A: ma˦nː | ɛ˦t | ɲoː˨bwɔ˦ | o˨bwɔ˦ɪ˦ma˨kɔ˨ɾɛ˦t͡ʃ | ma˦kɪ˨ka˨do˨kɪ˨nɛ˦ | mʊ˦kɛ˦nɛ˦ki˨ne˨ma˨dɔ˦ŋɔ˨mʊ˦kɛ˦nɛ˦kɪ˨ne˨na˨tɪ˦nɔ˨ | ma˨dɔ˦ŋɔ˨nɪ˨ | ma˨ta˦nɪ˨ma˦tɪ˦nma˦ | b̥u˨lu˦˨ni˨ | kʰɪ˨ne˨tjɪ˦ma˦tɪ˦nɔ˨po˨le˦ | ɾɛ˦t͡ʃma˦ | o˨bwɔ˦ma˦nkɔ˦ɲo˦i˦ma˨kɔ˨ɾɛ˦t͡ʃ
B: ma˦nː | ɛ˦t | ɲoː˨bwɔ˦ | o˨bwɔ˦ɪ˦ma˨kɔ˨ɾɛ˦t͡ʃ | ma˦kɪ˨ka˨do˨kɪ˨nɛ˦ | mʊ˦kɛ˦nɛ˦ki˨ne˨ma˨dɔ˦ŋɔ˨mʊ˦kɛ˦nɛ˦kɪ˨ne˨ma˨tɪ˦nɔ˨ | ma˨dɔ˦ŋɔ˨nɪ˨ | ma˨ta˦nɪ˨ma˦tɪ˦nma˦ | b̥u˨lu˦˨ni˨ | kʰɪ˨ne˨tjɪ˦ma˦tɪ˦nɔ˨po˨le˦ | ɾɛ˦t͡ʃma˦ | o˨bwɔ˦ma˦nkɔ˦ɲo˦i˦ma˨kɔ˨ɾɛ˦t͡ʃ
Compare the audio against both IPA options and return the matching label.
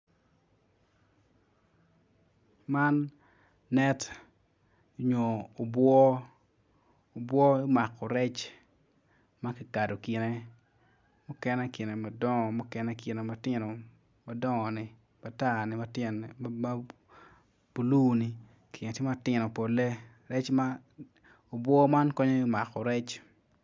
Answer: B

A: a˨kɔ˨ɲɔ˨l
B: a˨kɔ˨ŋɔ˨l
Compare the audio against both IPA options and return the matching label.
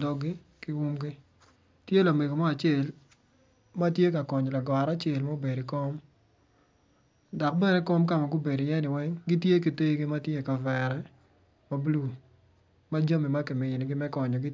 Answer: A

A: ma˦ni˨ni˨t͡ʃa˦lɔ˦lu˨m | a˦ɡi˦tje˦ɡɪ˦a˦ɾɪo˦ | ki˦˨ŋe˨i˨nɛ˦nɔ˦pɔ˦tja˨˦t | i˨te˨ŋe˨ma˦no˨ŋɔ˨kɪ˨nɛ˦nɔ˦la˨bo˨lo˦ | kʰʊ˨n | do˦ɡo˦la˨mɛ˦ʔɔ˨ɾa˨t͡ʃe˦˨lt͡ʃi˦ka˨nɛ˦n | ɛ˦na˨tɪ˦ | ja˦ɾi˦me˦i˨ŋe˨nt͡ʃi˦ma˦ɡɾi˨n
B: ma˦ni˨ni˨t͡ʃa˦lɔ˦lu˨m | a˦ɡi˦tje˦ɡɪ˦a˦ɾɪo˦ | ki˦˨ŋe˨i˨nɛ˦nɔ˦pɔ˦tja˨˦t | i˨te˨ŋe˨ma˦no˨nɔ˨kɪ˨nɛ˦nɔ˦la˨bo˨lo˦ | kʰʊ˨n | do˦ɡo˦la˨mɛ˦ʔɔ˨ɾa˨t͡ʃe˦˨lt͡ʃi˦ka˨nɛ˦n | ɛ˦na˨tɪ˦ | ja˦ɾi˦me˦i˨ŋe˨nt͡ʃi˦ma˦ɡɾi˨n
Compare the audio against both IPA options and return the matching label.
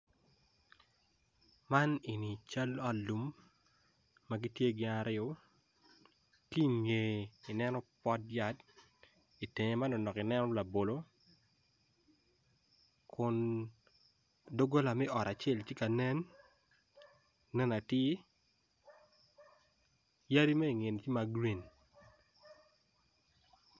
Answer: B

